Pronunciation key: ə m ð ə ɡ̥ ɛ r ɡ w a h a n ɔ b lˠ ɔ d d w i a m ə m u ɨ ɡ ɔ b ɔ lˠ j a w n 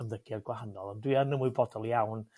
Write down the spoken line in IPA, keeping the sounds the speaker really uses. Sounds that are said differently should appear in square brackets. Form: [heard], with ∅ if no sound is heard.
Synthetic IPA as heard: ə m ð ə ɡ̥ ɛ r ɡ w a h a n ɔ [∅] lˠ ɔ [n] d w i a [n] ə m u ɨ [b] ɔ [d] ɔ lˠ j a w n